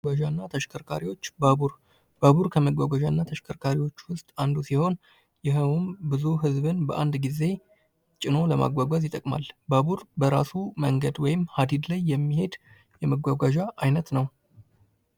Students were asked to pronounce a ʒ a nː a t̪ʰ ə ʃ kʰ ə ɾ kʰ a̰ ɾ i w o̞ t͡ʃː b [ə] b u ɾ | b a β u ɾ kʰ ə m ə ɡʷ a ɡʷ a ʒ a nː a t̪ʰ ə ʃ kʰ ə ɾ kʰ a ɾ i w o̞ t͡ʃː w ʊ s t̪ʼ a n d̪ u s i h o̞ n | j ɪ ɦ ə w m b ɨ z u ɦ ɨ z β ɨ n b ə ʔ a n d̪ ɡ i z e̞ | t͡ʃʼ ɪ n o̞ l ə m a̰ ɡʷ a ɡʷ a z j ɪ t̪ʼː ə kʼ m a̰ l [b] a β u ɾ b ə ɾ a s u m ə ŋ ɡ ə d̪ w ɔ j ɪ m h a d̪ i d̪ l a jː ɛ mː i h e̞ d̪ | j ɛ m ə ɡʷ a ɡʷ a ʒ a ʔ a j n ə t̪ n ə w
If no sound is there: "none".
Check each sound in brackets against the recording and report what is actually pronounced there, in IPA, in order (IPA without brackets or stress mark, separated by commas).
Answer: a, b